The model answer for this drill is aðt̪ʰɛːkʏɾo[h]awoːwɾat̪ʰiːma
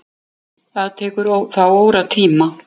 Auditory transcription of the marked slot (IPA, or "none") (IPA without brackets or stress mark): θ